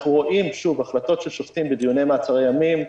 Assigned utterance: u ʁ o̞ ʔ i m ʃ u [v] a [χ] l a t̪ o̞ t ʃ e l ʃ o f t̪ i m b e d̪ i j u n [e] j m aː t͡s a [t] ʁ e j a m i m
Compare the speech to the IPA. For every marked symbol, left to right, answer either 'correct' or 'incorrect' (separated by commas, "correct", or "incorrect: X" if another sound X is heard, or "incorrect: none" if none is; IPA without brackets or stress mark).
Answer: correct, correct, correct, incorrect: none